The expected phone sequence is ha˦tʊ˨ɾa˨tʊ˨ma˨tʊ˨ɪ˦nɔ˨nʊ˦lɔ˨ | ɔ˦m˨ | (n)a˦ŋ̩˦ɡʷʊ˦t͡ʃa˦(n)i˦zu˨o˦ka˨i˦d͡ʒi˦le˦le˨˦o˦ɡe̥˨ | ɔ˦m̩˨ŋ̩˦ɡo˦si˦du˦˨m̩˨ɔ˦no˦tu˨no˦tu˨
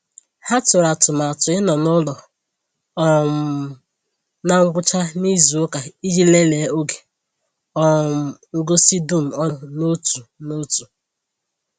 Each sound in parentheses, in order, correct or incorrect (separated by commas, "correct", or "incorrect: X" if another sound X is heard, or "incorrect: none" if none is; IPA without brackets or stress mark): correct, correct